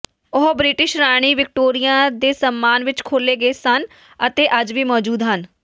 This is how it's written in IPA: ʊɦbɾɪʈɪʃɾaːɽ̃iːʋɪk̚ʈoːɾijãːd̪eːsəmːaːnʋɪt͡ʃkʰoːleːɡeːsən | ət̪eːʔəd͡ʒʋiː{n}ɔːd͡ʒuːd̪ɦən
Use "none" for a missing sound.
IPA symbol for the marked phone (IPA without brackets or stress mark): m